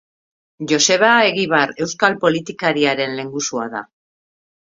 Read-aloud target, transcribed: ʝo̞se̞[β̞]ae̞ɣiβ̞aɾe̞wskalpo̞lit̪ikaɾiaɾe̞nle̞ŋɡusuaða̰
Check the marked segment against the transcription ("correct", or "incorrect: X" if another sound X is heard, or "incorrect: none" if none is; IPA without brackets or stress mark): correct